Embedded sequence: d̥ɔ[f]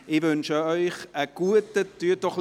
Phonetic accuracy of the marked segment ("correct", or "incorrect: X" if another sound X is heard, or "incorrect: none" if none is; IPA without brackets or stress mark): incorrect: χ